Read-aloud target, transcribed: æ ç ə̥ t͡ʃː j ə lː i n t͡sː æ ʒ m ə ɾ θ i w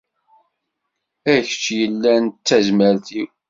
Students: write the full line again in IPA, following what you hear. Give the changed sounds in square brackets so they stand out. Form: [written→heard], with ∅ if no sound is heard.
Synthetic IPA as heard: æ ç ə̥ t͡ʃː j ə lː [i→æ] n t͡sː æ [ʒ→z] m ə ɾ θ i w